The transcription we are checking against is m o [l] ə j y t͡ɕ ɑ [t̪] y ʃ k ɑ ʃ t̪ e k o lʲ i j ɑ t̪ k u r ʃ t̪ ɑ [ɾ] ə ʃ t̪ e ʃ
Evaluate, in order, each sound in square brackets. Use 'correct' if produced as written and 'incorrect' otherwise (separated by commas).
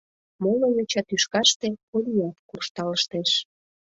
correct, correct, incorrect